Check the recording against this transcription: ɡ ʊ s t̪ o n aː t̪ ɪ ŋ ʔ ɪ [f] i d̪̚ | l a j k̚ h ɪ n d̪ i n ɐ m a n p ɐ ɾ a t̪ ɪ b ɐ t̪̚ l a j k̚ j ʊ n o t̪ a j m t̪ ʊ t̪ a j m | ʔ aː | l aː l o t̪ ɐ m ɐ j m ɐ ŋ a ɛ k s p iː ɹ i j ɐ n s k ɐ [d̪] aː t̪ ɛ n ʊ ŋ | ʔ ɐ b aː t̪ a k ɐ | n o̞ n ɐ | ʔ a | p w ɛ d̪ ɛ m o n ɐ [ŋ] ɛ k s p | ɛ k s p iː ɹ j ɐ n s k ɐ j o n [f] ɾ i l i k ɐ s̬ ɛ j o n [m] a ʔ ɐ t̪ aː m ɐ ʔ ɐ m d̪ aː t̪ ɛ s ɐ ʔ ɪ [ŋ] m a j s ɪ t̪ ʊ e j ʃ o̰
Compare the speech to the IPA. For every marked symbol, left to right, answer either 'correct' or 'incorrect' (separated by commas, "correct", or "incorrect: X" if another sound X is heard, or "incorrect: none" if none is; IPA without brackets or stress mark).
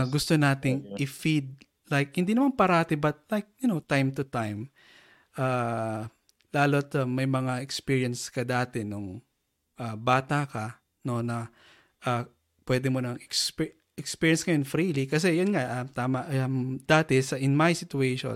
correct, correct, correct, correct, incorrect: ŋ, incorrect: n